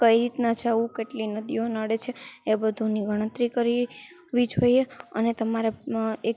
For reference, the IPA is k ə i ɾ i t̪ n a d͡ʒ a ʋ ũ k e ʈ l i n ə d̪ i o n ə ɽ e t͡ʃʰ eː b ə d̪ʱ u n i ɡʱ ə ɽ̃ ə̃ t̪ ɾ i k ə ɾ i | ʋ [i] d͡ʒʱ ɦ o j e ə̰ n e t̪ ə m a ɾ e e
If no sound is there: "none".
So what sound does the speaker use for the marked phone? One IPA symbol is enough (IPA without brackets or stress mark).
i